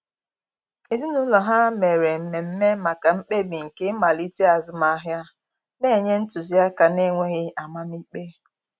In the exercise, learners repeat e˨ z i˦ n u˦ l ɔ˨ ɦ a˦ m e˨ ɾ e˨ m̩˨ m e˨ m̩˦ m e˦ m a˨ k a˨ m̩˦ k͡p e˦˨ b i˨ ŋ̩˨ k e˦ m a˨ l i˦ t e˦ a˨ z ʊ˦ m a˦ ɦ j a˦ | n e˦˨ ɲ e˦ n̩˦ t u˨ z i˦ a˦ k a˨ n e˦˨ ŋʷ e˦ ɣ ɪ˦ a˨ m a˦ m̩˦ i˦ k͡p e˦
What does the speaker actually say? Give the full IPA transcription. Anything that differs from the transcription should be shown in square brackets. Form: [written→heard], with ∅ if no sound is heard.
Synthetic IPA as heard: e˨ z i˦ n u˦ l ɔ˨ ɦ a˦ m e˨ ɾ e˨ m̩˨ m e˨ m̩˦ m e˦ m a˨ k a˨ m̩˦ k͡p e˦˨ b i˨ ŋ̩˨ k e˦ m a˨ l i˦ t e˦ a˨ z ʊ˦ m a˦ ɦ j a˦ | n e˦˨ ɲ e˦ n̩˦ t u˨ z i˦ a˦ k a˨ n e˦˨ ŋʷ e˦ ɣ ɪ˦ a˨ m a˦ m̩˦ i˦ k͡p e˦